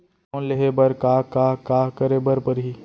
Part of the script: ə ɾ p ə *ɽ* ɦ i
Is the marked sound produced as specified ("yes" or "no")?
no